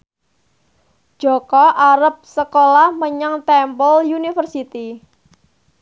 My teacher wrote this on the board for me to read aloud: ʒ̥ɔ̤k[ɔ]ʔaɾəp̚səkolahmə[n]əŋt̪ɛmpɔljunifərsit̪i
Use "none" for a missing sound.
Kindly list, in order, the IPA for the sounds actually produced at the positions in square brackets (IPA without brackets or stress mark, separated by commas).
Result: ɔ, ɲ